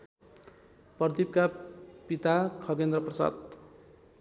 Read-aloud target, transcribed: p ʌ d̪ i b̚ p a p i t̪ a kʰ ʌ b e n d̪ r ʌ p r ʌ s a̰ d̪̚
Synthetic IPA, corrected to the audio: p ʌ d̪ i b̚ k a p i t̪ a kʰ ʌ ɡ e n d̪ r ʌ p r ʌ s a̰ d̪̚